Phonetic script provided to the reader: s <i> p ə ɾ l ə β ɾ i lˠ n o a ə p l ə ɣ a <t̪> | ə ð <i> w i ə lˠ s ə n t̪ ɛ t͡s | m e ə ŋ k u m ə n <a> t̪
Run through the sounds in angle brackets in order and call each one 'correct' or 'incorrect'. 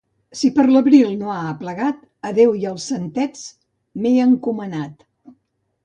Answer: correct, correct, incorrect: e, correct

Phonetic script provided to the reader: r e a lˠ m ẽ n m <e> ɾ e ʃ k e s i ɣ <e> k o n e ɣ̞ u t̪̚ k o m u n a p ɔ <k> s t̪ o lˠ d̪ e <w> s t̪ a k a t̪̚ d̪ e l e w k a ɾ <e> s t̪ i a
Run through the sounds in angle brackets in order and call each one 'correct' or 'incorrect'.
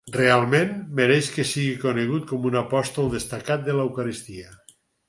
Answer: correct, incorrect: i, incorrect: none, incorrect: none, incorrect: i

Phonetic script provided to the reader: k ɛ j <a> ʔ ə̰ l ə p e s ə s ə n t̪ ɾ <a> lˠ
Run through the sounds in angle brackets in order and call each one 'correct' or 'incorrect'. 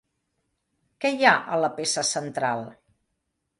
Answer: correct, correct

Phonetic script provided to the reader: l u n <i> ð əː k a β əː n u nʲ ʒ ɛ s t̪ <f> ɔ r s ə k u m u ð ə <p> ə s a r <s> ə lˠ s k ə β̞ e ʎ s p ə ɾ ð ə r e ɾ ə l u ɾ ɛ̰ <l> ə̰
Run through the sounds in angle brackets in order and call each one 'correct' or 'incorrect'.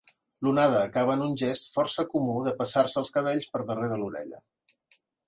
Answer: incorrect: a, correct, correct, correct, incorrect: ʎ

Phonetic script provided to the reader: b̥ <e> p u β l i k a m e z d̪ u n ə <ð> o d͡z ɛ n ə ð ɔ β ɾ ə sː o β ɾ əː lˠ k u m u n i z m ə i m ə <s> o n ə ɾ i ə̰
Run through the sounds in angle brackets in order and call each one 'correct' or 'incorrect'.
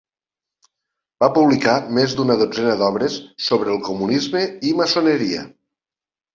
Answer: incorrect: a, correct, correct

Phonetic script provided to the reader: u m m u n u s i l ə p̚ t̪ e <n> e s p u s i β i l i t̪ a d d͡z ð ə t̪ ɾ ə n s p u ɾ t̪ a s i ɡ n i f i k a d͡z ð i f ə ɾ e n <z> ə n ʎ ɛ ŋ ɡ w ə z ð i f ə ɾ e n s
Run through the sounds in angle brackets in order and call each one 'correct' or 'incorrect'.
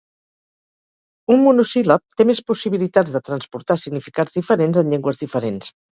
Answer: incorrect: m, correct

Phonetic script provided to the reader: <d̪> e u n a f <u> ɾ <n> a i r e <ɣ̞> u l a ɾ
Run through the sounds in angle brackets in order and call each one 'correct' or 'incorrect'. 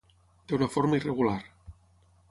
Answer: correct, incorrect: o, incorrect: m, correct

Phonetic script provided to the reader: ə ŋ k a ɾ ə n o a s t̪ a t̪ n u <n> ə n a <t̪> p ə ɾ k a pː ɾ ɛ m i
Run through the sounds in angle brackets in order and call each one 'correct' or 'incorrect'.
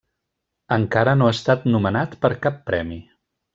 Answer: incorrect: m, correct

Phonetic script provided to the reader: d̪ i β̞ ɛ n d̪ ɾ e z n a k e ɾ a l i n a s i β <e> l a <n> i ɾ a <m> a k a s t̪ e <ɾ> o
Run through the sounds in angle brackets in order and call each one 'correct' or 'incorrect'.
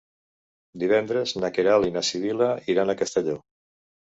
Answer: incorrect: i, incorrect: none, incorrect: n, incorrect: ʎ

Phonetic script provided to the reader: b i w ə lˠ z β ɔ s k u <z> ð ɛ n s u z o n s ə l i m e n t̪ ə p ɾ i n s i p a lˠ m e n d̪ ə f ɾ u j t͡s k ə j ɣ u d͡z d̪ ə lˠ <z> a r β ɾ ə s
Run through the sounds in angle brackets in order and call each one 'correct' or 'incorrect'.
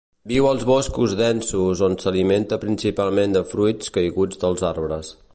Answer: correct, correct

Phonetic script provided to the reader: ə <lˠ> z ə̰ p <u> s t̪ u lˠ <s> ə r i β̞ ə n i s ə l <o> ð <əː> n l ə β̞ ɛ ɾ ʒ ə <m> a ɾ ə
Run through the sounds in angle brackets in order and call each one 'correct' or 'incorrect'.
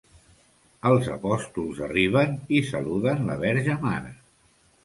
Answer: correct, incorrect: ɔ, incorrect: z, incorrect: u, incorrect: ə, correct

